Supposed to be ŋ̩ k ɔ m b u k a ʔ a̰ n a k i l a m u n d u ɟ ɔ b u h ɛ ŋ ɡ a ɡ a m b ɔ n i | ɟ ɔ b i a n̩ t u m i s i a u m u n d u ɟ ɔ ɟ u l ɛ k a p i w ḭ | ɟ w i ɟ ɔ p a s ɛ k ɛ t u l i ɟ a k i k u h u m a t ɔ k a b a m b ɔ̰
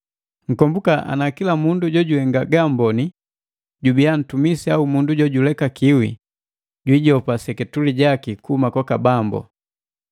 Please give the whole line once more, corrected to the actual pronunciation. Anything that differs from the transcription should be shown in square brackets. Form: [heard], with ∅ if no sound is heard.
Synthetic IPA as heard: ŋ̩ k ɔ m b u k a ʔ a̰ n a k i l a m u n d u ɟ ɔ [ɟ] u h ɛ ŋ ɡ a ɡ a m b ɔ n i | ɟ [u] b i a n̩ t u m i s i a u m u n d u ɟ ɔ ɟ u l ɛ k a [k] i w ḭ | ɟ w i ɟ ɔ p a s ɛ k ɛ t u l i ɟ a k i k u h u m a [k] ɔ k a b a m b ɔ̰